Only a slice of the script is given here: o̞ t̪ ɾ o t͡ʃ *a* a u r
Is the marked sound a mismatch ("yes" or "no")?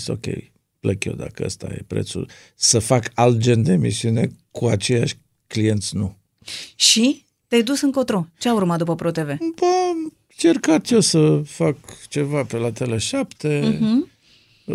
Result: yes